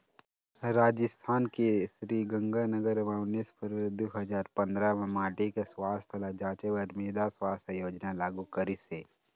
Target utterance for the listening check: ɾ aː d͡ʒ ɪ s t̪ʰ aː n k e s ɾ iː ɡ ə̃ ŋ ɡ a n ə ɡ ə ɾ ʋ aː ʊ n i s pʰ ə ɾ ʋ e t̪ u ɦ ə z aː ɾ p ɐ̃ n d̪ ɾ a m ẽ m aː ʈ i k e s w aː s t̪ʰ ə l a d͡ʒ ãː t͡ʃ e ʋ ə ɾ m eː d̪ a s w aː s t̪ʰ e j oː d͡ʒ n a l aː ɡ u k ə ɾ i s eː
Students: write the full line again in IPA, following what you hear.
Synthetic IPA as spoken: ɾ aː d͡ʒ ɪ s t̪ʰ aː n k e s ɾ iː ɡ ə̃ ŋ ɡ a n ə ɡ ə ɾ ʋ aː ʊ n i s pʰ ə ɾ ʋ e d̪ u ɦ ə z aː ɾ p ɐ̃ n d̪ ɾ a m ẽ m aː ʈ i k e s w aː s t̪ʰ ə l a d͡ʒ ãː t͡ʃ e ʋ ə ɾ m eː d̪ a s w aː s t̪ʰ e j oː d͡ʒ n a l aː ɡ u k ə ɾ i s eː